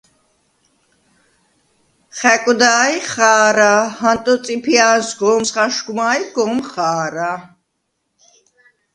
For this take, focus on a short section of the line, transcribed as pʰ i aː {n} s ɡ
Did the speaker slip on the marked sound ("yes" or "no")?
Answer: no